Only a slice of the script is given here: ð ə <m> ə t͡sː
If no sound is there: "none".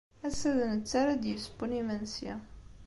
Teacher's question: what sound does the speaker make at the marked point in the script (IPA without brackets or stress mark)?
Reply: n